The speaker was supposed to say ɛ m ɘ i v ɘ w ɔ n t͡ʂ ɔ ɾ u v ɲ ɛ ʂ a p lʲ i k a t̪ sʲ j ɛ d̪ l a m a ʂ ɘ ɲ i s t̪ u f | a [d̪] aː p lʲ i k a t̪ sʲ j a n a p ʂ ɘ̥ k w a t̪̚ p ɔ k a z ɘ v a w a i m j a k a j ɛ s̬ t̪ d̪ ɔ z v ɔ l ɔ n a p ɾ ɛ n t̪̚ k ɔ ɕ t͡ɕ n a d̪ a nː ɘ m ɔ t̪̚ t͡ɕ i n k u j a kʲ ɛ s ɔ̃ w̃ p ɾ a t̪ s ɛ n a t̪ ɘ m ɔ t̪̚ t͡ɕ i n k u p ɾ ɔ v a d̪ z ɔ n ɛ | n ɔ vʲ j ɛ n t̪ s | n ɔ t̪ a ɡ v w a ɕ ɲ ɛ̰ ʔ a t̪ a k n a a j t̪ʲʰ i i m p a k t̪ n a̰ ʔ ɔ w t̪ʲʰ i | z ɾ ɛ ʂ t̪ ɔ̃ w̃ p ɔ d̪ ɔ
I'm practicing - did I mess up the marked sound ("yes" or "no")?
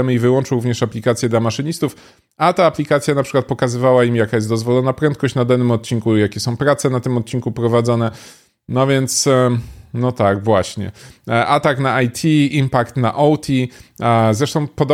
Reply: yes